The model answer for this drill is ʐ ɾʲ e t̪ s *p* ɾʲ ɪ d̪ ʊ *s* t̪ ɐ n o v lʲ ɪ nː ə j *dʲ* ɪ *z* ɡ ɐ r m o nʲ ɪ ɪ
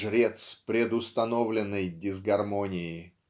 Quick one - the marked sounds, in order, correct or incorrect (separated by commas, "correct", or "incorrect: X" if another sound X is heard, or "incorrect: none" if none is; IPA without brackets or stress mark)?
correct, correct, correct, correct